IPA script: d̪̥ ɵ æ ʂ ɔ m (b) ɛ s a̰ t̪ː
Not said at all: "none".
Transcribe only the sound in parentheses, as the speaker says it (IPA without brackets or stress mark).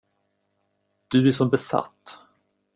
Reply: b